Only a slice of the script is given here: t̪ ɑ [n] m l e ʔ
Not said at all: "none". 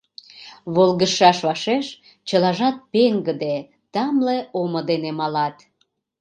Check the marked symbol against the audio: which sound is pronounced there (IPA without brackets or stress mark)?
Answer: none